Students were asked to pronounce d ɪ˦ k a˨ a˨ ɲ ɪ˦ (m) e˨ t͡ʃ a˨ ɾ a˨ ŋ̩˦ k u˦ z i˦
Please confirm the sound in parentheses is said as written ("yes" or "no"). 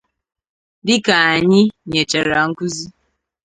no